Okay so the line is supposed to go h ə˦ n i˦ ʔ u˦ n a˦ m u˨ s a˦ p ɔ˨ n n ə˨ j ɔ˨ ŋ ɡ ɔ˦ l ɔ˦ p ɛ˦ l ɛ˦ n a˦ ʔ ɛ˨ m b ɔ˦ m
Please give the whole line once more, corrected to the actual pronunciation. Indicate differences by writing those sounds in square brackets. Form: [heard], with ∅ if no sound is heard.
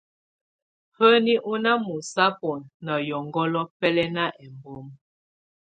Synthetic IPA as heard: h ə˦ n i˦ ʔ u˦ n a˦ m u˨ s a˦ p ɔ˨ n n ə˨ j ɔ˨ ŋ ɡ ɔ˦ l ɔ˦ p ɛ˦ l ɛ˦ n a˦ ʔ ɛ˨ m b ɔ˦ m